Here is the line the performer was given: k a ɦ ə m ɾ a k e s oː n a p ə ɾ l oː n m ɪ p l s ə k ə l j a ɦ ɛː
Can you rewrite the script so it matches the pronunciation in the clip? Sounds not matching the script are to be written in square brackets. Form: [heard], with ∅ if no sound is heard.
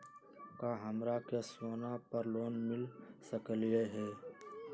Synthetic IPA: k a ɦ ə m ɾ a k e s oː n a p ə ɾ l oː n m ɪ [∅] l s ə k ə l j [e] ɦ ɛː